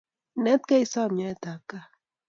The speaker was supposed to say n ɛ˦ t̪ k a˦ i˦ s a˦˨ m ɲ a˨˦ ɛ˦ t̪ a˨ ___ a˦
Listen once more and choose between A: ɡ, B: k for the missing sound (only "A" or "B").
B